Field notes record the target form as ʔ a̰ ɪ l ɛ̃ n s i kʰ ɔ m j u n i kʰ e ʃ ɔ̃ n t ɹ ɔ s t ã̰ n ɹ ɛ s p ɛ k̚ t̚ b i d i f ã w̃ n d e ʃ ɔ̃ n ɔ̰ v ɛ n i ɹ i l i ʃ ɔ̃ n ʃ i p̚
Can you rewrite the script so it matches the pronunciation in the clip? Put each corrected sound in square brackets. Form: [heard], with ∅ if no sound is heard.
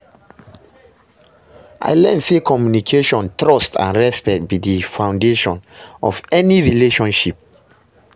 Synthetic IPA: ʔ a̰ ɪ l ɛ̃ n s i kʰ ɔ m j u n i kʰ e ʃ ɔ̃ n t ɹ ɔ s t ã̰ n ɹ ɛ s p ɛ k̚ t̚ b i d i f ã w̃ n d e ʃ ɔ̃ n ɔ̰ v ɛ n i ɹ i l [e] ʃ ɔ̃ n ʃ i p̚